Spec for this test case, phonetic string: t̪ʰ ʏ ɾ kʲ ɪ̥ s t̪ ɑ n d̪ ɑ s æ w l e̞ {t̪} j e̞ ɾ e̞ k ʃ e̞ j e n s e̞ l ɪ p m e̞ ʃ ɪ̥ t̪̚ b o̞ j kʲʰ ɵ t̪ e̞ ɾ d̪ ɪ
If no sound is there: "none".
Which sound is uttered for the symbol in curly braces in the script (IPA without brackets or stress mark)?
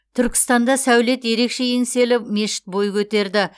t̪